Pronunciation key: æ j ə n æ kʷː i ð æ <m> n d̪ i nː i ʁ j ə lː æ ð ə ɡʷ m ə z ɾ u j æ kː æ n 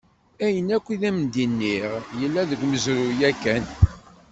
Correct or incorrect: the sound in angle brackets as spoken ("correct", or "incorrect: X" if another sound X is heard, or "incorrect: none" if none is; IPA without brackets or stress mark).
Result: correct